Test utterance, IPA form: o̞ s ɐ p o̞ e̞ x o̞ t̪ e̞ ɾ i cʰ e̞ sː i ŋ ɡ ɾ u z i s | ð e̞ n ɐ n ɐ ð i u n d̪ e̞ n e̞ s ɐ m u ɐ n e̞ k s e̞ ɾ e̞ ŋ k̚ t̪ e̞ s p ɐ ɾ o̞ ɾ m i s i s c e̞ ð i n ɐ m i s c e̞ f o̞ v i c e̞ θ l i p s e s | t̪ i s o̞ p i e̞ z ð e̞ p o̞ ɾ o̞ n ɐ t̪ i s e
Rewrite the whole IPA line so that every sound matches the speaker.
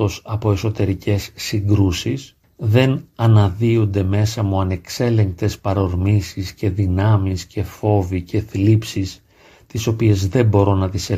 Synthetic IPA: o̞ s ɐ p o̞ e̞ s o̞ t̪ e̞ ɾ i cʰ e̞ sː i ŋ ɡ ɾ u s i s | ð e̞ n ɐ n ɐ ð i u n d̪ e̞ m e̞ s ɐ m u ɐ n e̞ k s e̞ l e̞ ŋ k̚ t̪ e̞ s p ɐ ɾ o̞ ɾ m i s i s c e̞ ð i n ɐ m i s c e̞ f o̞ v i c e̞ θ l i p s i s | t̪ i s o̞ p i e̞ z ð e̞ b o̞ ɾ o̞ n ɐ t̪ i s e